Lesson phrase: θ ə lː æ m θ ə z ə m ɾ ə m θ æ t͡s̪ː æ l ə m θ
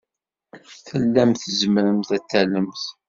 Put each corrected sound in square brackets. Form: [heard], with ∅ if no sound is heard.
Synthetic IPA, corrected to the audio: θ ə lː æ m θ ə z ə m ɾ ə m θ æ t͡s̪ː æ l ə m θ